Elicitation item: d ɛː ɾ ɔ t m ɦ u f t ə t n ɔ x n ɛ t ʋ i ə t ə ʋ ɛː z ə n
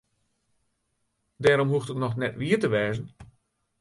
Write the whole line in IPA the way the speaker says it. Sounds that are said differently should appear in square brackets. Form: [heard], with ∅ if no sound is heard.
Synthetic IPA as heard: d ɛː ɾ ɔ [∅] m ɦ u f t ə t n ɔ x n ɛ t ʋ i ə t ə ʋ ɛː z ə n